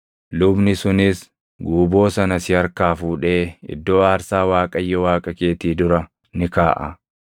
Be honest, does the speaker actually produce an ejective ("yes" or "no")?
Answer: yes